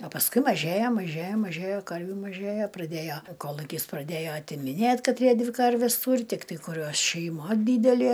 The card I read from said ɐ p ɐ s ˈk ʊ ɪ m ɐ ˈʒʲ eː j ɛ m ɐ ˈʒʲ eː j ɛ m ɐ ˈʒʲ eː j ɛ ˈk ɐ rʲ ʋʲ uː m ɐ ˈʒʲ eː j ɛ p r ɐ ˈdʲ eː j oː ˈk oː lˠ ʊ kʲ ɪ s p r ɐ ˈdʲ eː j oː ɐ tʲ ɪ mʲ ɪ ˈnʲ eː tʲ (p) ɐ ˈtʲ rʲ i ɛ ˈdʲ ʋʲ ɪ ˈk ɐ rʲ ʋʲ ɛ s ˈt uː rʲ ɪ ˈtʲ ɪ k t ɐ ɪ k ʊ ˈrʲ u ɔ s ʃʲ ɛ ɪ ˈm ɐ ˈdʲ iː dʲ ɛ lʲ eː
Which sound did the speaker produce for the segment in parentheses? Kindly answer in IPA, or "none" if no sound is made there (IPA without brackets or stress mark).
k